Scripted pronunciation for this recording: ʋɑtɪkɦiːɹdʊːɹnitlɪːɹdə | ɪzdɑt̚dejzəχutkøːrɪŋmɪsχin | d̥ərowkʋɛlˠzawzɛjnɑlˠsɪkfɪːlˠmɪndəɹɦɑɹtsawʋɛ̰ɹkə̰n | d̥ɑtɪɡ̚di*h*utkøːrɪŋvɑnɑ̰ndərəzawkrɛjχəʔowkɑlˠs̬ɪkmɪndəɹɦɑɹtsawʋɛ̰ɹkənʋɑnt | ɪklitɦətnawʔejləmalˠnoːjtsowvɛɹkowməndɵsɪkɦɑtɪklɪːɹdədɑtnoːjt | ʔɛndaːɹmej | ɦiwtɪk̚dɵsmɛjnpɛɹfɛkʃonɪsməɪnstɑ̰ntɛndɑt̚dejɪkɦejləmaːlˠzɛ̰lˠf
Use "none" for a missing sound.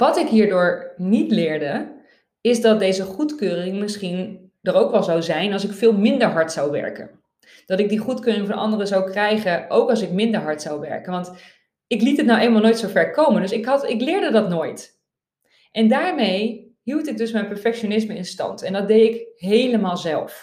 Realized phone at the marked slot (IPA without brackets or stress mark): χ